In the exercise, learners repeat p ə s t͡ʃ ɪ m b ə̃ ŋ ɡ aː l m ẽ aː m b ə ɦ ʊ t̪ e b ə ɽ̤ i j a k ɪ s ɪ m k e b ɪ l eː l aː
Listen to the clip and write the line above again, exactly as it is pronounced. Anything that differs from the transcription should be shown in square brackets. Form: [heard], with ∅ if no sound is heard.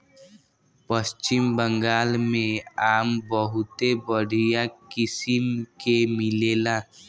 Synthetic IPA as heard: p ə s t͡ʃ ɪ m b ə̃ ŋ ɡ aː l m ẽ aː m b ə ɦ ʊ t̪ e b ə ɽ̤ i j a k ɪ s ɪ m k e [m] ɪ l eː l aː

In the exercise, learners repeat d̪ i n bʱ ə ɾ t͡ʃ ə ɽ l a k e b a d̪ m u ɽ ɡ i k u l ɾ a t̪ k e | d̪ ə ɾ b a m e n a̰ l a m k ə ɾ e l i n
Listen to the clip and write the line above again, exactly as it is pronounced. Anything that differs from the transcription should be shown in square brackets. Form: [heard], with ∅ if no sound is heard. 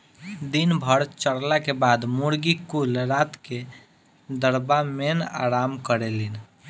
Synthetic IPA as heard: d̪ i n bʱ ə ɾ t͡ʃ ə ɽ l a k e b a d̪ m u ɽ ɡ i k u l ɾ a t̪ k e | d̪ ə ɾ b a m e n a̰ [ɾ] a m k ə ɾ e l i n

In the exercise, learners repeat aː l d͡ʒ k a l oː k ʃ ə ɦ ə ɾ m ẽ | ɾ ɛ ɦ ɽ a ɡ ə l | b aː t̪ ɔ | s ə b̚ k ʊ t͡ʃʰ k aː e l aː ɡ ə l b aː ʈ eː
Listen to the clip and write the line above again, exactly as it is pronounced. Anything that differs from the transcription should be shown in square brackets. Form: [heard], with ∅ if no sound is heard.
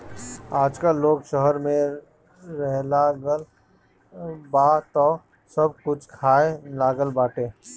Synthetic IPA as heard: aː [∅] d͡ʒ k a l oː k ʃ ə ɦ ə ɾ m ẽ | ɾ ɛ ɦ [l] a ɡ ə l | b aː t̪ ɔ | s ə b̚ k ʊ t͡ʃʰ [kʰ] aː e l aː ɡ ə l b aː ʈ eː

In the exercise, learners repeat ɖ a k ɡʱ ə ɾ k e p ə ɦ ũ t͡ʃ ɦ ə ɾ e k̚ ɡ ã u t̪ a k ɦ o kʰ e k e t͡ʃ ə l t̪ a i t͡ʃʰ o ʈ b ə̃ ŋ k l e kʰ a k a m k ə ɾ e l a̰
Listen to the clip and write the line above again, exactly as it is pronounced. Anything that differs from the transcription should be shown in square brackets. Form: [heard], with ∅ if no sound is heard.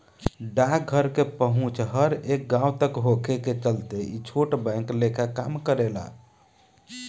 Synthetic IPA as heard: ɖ a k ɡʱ ə ɾ k e p ə ɦ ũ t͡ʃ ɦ ə ɾ e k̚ ɡ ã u t̪ [ə] k ɦ o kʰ e k e t͡ʃ ə l t̪ [e] i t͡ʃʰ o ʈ b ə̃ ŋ k l e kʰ a k a m k ə ɾ e l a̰

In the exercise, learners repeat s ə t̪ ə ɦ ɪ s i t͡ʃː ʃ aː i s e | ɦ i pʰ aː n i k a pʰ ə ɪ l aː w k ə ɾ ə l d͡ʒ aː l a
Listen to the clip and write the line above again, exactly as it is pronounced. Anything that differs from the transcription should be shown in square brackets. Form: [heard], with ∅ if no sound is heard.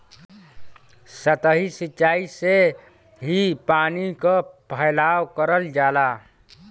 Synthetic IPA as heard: s ə t̪ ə ɦ [i] s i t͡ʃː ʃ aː i s e | ɦ i [p] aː n i k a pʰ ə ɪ l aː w k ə ɾ ə l d͡ʒ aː l a

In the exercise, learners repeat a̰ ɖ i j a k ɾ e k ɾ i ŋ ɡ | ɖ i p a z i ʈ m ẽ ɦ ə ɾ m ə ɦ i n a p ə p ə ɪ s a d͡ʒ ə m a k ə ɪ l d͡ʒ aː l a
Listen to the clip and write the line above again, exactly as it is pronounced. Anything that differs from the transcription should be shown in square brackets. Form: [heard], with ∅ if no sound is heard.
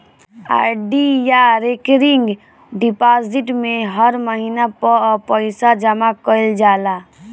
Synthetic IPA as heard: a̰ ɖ i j a [∅] ɾ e k ɾ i ŋ ɡ | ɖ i p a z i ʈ m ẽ ɦ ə ɾ m ə ɦ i n a p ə p ə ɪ s a d͡ʒ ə m a k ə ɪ l d͡ʒ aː l a

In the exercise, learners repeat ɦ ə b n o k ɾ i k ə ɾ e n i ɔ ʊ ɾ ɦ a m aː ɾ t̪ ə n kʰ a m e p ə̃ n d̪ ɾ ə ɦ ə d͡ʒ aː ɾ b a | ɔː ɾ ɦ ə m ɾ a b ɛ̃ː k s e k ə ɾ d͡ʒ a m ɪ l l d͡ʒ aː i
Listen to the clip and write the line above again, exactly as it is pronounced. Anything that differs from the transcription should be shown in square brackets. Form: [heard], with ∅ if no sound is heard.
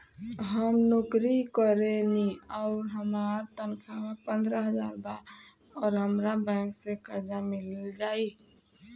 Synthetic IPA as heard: ɦ ə [m] n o k ɾ i k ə ɾ e n i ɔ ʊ ɾ ɦ [ə] m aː ɾ t̪ ə n kʰ a m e p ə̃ n d̪ ɾ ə ɦ ə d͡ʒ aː ɾ b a | ɔː ɾ ɦ ə m ɾ a b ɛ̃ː k s e k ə ɾ d͡ʒ a m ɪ l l d͡ʒ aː i

